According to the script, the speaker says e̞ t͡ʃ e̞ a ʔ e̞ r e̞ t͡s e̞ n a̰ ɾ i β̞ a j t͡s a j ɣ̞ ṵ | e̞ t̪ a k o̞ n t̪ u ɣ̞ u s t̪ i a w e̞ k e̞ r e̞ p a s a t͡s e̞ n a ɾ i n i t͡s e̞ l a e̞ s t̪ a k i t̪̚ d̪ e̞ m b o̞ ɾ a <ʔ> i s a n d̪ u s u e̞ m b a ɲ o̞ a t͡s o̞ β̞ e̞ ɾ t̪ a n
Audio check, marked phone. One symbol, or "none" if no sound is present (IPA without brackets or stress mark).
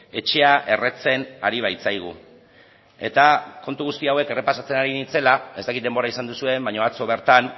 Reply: none